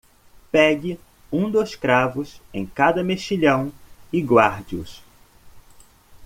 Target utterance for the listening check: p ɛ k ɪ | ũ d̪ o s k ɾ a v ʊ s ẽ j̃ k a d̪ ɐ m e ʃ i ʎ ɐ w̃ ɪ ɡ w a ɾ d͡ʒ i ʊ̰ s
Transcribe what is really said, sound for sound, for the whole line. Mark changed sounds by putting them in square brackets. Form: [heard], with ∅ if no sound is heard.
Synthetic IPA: p ɛ [ɡ] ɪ | ũ d̪ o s k ɾ a v ʊ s ẽ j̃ k a d̪ ɐ m e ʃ i ʎ [ɐ̃] w̃ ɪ ɡ w a ɾ d͡ʒ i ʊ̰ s

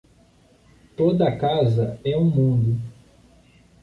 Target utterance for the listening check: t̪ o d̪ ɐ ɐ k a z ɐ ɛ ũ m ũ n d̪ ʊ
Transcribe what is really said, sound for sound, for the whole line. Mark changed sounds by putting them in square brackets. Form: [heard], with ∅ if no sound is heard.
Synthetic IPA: t̪ o d̪ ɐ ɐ k a z ɐ ɛ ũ m ũ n d̪ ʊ

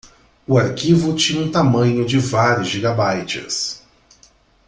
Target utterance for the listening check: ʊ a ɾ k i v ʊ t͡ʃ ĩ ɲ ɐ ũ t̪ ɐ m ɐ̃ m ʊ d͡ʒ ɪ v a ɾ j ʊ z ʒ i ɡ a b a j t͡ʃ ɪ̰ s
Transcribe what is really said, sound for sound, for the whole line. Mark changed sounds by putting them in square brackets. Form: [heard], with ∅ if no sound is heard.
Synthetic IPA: ʊ a ɾ k i v ʊ t͡ʃ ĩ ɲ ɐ ũ t̪ [a] m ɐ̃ [ɲ] ʊ d͡ʒ ɪ v a ɾ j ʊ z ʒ i ɡ a b a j t͡ʃ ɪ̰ s

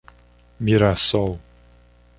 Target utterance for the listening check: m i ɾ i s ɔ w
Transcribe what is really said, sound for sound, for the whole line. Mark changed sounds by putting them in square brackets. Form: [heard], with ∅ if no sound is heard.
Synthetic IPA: m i ɾ [a] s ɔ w

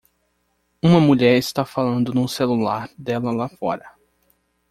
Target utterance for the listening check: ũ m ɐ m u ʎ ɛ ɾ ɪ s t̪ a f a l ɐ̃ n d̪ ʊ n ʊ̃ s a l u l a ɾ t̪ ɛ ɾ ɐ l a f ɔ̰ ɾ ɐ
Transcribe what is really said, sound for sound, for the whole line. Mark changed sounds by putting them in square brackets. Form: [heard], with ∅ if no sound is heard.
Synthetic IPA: ũ m ɐ m u ʎ ɛ ɾ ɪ s t̪ a f a l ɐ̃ n d̪ ʊ n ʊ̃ s [e] l u l a ɾ [d̪] ɛ [l] ɐ l a f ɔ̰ ɾ ɐ

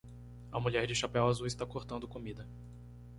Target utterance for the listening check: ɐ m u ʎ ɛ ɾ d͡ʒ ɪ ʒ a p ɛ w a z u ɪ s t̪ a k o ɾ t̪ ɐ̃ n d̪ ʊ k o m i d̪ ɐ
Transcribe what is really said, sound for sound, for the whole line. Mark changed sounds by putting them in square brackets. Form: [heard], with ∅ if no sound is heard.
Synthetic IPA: ɐ m u ʎ ɛ ɾ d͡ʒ ɪ [ʃ] a p ɛ w a z u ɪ s t̪ a k o ɾ t̪ ɐ̃ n d̪ ʊ k o m i d̪ ɐ

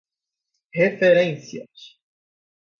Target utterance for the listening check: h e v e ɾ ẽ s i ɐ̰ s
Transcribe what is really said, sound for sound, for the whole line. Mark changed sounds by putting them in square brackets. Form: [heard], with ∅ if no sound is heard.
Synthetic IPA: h e [f] e ɾ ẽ s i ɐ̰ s

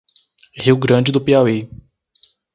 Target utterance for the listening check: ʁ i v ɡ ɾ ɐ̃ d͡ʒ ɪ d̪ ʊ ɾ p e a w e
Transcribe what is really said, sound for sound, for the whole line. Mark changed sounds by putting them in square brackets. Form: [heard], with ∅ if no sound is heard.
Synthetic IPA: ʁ i [w] ɡ ɾ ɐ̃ d͡ʒ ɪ d̪ ʊ [∅] p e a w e

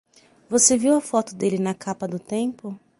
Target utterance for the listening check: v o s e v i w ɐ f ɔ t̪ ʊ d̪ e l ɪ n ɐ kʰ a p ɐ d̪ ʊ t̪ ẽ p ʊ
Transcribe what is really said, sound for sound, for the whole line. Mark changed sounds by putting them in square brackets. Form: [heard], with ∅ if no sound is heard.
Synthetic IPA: v o s e v i w ɐ f ɔ t̪ ʊ d̪ e l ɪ n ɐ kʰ a p ɐ d̪ ʊ t̪ ẽ p ʊ

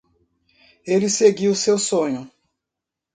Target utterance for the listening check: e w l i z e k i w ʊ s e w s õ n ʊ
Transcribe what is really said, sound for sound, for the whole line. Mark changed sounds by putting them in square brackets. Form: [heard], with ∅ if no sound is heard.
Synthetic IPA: e [∅] l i [s] e [ɡ] i w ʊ s e w s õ [ɲ] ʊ

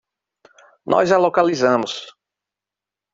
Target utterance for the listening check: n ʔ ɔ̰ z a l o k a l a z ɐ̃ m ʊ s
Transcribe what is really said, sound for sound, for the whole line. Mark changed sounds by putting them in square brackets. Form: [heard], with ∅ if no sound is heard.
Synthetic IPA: n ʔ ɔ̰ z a l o k a l [i] z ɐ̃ m ʊ s

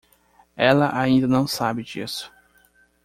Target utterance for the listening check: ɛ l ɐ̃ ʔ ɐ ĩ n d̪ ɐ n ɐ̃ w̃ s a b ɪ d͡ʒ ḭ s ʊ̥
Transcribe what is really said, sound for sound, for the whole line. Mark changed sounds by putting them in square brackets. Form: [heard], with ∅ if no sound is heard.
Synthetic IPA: ɛ l [ɐ] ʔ [a] ĩ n d̪ ɐ n ɐ̃ w̃ s a b ɪ d͡ʒ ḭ s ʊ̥

